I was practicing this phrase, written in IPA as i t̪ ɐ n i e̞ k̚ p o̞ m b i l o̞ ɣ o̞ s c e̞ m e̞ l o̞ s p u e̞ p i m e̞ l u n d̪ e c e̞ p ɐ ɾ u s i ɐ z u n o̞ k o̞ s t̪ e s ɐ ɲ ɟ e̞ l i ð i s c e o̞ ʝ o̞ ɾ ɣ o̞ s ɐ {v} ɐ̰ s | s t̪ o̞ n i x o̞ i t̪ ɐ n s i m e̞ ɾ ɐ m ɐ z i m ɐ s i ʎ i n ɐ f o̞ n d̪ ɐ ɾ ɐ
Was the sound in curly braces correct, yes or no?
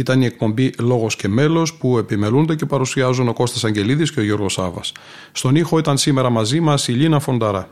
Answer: yes